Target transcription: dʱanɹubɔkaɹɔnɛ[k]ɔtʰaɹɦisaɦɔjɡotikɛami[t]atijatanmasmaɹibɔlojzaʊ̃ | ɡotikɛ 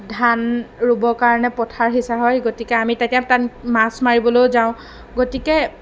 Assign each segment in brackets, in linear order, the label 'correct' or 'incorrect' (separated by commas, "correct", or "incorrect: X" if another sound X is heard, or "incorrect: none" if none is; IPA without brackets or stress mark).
incorrect: p, correct